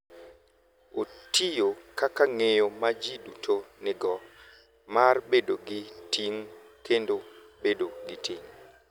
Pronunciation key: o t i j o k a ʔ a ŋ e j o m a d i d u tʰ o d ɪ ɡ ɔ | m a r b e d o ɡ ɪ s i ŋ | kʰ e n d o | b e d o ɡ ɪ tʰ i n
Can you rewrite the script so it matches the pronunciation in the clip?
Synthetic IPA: o t i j o k a k a ŋ e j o m a d͡ʒ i d u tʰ o n ɪ ɡ ɔ | m a r b e d o ɡ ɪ t i ŋ | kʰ e n d o | b e d o ɡ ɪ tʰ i ŋ